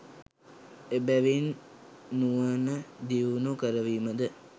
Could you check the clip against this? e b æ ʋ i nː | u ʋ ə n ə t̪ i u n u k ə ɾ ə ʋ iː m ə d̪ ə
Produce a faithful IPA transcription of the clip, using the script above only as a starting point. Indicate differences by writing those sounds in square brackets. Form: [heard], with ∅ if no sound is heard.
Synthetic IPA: e b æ ʋ i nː | u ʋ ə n ə [d̪] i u n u k ə ɾ ə ʋ iː m ə d̪ ə